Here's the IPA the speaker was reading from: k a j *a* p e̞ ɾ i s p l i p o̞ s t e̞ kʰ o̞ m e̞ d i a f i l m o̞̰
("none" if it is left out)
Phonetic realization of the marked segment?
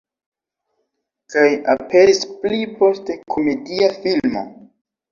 a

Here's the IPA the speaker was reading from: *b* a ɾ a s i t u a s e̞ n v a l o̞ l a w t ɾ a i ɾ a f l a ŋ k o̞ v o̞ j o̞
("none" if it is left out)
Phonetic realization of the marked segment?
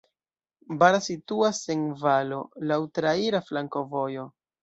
b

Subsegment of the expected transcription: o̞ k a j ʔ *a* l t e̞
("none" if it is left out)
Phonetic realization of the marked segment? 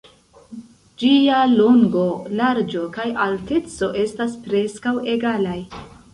a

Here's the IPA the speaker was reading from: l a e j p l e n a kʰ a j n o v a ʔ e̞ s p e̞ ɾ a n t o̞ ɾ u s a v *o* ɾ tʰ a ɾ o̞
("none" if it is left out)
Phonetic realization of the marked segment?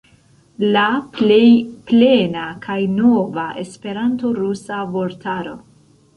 o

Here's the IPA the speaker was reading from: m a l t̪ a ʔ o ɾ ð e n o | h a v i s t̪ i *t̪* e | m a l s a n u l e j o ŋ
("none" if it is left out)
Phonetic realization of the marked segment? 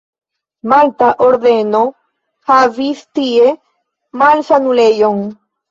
none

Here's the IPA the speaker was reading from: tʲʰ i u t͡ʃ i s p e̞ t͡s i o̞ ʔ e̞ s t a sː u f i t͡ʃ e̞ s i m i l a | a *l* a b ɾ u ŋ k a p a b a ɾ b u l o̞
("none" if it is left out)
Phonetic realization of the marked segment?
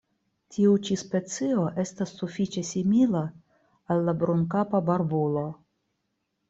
lː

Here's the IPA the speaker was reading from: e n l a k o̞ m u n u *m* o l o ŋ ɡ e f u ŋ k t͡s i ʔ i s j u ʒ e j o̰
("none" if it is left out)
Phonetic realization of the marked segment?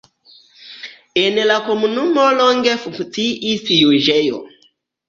m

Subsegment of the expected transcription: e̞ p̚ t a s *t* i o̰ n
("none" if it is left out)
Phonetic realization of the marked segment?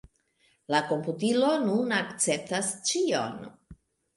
t͡ʃ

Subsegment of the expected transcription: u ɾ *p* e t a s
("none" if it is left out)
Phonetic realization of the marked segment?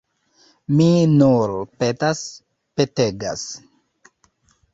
p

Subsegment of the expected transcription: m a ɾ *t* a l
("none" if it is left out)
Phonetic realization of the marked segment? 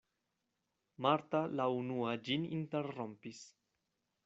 t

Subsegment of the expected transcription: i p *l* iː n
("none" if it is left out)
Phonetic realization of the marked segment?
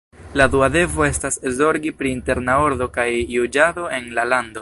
ɾ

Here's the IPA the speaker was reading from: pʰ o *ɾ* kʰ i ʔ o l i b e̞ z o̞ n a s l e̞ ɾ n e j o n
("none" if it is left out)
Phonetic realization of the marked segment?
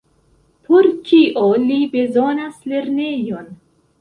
ɾ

